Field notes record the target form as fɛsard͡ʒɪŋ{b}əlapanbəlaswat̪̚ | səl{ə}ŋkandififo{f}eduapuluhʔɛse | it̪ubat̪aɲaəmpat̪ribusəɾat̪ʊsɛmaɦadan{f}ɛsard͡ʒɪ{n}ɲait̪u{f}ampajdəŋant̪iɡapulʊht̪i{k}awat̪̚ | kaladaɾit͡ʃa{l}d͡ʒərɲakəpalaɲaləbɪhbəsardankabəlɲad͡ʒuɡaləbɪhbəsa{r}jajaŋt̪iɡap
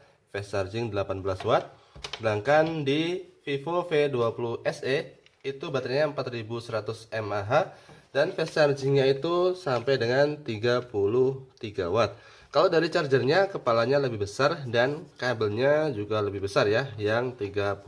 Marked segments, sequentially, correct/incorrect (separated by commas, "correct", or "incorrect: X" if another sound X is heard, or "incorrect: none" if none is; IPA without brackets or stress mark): incorrect: d, incorrect: a, correct, correct, incorrect: ŋ, incorrect: s, incorrect: ɡ, incorrect: r, correct